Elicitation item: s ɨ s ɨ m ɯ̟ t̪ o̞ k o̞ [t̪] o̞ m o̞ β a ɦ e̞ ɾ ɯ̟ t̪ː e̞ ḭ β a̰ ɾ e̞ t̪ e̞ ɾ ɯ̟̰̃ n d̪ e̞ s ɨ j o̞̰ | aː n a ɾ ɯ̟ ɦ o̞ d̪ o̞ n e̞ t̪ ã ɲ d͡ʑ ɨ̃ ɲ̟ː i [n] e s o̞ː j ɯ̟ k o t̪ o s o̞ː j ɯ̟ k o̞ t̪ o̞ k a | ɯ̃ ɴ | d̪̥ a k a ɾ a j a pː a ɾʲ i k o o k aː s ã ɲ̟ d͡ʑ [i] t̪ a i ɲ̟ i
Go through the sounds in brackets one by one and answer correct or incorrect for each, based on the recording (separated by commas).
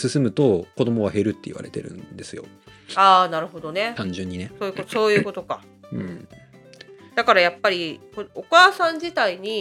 incorrect, correct, correct